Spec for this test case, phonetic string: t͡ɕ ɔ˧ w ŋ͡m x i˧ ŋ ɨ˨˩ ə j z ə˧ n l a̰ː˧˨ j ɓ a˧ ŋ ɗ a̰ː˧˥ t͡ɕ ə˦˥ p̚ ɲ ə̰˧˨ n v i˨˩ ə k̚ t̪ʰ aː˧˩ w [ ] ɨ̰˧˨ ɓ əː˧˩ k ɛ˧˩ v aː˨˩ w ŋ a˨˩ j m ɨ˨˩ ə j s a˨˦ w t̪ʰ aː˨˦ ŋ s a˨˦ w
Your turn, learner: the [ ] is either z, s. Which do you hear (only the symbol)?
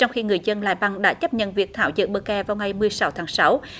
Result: z